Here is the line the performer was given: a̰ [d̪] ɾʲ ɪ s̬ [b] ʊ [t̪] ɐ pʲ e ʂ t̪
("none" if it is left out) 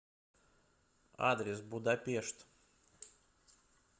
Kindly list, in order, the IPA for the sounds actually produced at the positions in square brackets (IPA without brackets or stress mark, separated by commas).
d̪, b, d̪